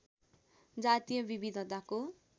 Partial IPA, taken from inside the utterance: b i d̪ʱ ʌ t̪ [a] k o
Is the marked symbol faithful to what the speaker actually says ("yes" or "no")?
yes